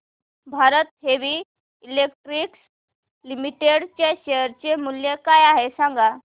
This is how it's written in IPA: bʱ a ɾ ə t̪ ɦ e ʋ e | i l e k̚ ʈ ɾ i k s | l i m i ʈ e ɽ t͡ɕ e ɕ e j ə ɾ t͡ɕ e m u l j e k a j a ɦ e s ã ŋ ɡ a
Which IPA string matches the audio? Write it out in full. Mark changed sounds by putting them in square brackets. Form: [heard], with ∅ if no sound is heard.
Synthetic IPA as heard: bʱ a ɾ ə t̪ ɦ e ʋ [i] | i l e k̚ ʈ ɾ i k s | l i m i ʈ e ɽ t͡ɕ e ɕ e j ə ɾ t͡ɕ e m u l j e k a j a ɦ e s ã ŋ ɡ a